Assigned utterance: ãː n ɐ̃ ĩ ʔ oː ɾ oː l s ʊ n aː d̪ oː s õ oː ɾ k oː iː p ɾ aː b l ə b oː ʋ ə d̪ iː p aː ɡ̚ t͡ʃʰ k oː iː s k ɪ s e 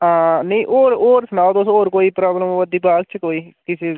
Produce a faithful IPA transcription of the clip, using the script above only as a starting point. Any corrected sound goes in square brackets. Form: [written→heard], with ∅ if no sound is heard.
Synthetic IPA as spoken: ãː n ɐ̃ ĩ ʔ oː ɾ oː [l→ɾ] s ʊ n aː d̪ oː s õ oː ɾ k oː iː p ɾ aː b l ə [b→m] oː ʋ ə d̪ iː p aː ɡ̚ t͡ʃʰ k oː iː [s→∅] k ɪ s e